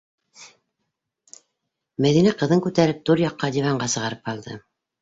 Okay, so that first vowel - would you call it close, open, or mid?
open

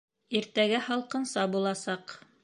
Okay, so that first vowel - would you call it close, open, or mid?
close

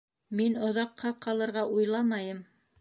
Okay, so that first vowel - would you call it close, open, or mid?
close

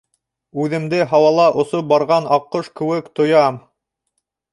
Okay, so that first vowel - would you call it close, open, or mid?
close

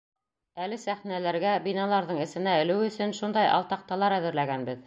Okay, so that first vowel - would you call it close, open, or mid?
open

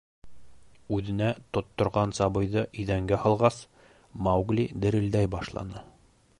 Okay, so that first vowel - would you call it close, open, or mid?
close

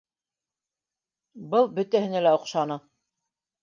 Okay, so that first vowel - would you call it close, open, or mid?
mid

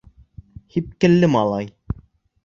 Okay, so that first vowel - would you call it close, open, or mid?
close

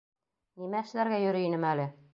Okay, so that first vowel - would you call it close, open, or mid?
close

